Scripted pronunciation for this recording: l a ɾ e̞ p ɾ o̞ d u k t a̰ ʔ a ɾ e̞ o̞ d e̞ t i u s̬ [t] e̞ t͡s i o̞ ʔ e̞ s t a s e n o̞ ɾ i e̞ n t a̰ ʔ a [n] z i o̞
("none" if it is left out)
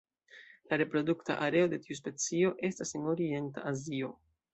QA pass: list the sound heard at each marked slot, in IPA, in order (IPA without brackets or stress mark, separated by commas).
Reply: p, none